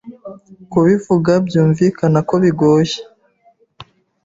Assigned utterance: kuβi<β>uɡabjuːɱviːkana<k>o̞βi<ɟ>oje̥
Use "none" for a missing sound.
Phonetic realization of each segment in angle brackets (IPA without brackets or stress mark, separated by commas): v, k, ɡ